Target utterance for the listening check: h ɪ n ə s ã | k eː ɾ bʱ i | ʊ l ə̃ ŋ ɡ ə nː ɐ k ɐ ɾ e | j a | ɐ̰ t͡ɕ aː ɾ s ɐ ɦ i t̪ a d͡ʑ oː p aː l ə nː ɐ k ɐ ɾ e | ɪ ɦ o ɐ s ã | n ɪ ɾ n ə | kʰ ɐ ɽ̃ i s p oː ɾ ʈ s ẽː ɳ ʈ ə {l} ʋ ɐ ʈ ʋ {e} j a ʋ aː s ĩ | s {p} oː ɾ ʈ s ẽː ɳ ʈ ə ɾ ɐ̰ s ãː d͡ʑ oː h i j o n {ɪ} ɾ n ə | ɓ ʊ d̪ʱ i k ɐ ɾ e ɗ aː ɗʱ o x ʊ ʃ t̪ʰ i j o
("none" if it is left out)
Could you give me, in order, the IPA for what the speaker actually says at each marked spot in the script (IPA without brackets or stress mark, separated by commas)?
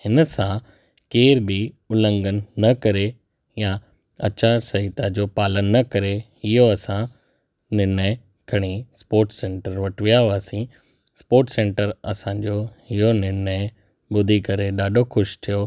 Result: ɾ, i, p, ɪ